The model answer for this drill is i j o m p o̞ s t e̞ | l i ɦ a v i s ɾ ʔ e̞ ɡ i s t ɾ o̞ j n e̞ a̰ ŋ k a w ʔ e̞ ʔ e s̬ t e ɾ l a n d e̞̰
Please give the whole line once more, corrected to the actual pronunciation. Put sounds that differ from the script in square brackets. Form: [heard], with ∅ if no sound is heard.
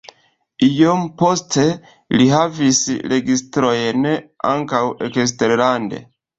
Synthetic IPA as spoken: i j o m p o̞ s t e̞ | l i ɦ a v i s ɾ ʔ e̞ ɡ i s t ɾ o̞ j n e̞ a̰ ŋ k a w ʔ e̞ [k] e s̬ t e ɾ l a n d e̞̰